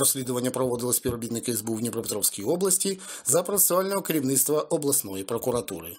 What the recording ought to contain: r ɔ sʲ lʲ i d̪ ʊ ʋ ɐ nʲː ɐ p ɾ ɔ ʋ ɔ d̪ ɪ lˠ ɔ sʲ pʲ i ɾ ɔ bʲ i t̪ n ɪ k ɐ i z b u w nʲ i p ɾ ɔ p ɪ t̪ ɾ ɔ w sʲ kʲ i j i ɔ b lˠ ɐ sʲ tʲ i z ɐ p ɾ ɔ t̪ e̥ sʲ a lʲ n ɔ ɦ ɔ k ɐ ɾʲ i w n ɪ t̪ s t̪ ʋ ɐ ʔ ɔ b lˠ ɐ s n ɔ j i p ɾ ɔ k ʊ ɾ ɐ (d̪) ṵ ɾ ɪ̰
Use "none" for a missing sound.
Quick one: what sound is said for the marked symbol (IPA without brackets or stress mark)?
t̪